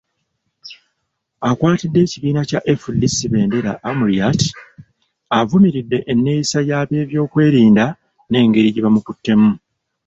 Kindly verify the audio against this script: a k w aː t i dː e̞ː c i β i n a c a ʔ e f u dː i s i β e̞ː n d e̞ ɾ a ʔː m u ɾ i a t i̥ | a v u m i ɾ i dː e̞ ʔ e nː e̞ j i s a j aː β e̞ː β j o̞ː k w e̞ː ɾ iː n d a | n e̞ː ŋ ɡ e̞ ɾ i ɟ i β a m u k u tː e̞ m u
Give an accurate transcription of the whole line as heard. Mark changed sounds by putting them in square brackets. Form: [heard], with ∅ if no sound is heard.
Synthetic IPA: a k w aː t i dː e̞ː c i β [iː] n a c a ʔ e f u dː i s i β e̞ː n d e̞ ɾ a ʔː m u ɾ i a t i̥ | a v u m i ɾ i dː e̞ ʔ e nː e̞ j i s a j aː β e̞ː β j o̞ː k w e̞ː ɾ iː n d a | n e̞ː ŋ ɡ e̞ ɾ i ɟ i β a m u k u tː e̞ m u